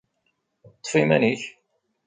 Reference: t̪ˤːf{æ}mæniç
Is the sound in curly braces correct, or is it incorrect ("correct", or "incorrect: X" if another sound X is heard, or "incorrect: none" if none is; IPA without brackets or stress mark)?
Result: incorrect: i